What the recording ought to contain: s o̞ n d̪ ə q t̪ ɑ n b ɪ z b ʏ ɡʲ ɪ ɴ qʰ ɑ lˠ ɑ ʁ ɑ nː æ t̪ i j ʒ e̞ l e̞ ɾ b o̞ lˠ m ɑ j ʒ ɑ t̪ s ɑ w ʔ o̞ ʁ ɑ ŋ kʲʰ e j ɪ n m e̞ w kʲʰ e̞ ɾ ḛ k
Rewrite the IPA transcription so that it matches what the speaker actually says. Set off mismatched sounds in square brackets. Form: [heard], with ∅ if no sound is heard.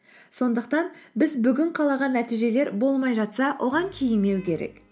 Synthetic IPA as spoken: s o̞ n d̪ ə q t̪ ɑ n b ɪ z b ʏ ɡʲ ɪ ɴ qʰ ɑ lˠ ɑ ʁ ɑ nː æ t̪ i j ʒ e̞ l e̞ ɾ b o̞ lˠ m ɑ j ʒ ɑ t̪ s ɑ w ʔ o̞ ʁ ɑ ŋ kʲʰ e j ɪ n m e̞ w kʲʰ e̞ ɾ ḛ k

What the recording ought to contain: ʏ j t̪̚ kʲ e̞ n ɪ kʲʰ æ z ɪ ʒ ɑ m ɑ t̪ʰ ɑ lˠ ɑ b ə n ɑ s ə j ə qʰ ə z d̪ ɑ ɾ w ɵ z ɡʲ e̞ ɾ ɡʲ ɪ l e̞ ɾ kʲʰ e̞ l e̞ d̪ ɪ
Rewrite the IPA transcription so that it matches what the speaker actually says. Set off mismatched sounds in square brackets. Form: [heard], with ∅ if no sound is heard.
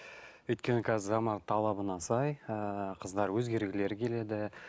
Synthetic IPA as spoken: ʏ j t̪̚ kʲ e̞ n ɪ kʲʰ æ z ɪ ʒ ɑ m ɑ t̪ʰ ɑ lˠ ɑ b ə n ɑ s [ɑ] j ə qʰ ə z d̪ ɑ ɾ w ɵ z ɡʲ e̞ ɾ ɡʲ ɪ l e̞ ɾ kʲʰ e̞ l e̞ d̪ ɪ

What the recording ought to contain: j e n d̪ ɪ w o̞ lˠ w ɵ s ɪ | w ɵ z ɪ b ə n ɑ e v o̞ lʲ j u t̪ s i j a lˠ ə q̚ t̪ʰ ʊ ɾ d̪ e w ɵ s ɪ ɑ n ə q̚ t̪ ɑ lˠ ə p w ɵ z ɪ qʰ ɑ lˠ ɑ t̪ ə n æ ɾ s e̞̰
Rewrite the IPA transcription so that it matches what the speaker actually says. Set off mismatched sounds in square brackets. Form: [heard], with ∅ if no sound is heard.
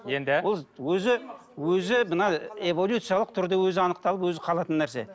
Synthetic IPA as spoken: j e n d̪ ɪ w o̞ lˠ w ɵ [z] ɪ | w ɵ z ɪ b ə n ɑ e v o̞ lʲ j u t̪ s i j a lˠ ə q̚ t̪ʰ ʊ ɾ d̪ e w ɵ [z] ɪ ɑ n ə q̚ t̪ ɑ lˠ ə p w ɵ z ɪ qʰ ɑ lˠ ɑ t̪ ə [nː] æ ɾ s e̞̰

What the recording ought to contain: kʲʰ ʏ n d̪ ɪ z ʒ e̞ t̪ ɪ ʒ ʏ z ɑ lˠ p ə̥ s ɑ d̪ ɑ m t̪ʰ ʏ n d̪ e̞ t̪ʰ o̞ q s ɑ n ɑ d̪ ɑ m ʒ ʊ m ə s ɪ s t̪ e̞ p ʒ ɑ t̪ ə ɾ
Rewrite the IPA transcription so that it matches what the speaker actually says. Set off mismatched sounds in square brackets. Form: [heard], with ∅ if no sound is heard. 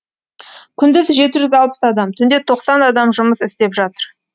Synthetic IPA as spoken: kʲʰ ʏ n d̪ ɪ z ʒ e̞ t̪ ɪ ʒ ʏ z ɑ lˠ p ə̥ s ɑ d̪ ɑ m t̪ʰ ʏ n d̪ e̞ t̪ʰ o̞ q s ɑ n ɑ d̪ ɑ m ʒ ʊ m ə s ɪ s t̪ e̞ p ʒ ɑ t̪ ə ɾ

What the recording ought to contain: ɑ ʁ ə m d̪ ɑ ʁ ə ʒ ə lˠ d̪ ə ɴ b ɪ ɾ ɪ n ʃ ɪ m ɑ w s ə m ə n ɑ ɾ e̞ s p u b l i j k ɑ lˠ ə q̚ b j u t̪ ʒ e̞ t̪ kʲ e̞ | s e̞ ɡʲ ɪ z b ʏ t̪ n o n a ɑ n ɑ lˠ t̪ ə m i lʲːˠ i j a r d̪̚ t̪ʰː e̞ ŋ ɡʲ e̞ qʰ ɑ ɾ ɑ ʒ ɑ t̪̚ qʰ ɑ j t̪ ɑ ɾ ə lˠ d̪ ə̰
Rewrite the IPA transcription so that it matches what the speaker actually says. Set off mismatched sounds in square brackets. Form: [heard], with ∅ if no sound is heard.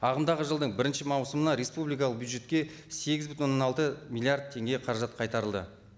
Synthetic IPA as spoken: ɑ ʁ ə m d̪ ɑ ʁ ə ʒ ə lˠ d̪ ə ɴ b ɪ ɾ ɪ n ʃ ɪ m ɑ w s ə m ə n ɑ ɾ e̞ s p u b l i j k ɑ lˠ ə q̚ b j u [d̪] ʒ e̞ t̪ kʲ e̞ | s e̞ ɡʲ ɪ z b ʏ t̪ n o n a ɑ n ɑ lˠ t̪ ə m i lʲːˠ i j a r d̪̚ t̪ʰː e̞ ŋ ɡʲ e̞ qʰ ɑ ɾ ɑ ʒ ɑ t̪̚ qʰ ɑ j t̪ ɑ ɾ ə lˠ d̪ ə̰

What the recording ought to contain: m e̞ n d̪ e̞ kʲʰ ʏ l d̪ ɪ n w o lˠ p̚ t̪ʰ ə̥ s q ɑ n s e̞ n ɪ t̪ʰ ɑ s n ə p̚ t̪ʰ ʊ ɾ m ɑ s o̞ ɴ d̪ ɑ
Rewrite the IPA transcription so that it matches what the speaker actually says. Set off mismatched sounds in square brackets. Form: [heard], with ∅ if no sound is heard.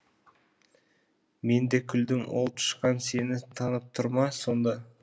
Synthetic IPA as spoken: m e̞ n d̪ e̞ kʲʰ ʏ l d̪ ɪ [ŋ] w o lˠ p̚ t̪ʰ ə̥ [ʃ] q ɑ n s e̞ n ɪ t̪ʰ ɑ [∅] n ə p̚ t̪ʰ ʊ ɾ m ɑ s o̞ [n] d̪ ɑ

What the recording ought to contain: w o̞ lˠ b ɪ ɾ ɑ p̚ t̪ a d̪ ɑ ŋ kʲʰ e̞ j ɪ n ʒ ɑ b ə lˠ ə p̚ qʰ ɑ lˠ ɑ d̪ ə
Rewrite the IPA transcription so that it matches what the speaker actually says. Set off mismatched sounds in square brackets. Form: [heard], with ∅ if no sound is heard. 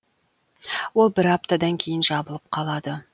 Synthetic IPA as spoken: w o̞ lˠ b ɪ ɾ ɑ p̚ t̪ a d̪ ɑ ŋ kʲʰ e̞ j ɪ n ʒ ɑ b ə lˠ ə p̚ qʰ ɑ lˠ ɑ d̪ ə

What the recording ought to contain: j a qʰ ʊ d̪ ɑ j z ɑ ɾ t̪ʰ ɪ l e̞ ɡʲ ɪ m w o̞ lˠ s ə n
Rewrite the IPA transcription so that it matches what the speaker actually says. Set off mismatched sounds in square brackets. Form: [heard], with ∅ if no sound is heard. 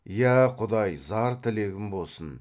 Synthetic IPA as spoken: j [æ] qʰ ʊ d̪ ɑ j z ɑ ɾ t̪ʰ ɪ l e̞ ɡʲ ɪ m [b] o̞ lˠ s ə n

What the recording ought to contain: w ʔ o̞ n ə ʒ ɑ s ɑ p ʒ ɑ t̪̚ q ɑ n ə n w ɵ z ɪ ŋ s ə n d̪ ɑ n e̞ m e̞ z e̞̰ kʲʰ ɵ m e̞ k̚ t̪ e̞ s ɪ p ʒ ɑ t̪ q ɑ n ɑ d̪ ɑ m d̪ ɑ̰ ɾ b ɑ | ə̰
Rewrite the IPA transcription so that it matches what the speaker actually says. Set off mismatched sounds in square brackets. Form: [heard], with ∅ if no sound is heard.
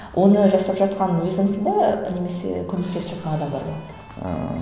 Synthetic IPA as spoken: w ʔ o̞ n ə ʒ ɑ s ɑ p ʒ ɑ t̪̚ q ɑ n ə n w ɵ z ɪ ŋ s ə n d̪ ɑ n e̞ m e̞ [s] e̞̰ kʲʰ ɵ m e̞ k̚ t̪ e̞ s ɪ p ʒ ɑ t̪ q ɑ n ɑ d̪ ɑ m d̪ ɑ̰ ɾ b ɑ | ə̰

